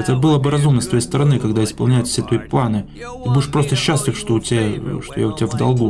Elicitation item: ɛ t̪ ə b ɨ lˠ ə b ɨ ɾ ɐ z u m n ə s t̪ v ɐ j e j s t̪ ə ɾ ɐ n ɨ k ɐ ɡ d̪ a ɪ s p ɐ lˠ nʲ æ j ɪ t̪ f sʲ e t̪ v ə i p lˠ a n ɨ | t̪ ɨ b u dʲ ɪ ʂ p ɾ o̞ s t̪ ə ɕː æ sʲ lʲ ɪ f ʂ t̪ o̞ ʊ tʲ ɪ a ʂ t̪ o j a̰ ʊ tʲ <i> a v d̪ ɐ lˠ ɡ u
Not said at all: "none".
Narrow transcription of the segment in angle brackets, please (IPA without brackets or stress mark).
ɪ